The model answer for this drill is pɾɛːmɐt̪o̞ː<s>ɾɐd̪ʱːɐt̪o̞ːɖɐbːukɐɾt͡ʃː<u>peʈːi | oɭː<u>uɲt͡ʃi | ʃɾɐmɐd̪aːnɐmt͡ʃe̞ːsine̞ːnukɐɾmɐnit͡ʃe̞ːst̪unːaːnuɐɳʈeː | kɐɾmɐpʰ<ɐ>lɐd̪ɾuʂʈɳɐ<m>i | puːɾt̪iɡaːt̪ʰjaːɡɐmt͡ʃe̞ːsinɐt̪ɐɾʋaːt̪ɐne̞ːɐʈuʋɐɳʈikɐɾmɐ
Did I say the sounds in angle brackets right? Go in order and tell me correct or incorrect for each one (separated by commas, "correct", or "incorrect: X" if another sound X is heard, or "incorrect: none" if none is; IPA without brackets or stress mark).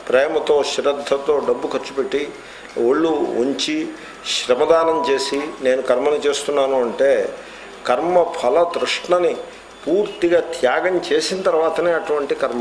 incorrect: ʃ, correct, correct, correct, incorrect: n